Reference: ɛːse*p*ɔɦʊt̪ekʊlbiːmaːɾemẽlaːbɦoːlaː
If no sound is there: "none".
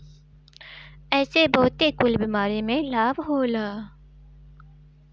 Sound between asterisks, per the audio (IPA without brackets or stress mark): b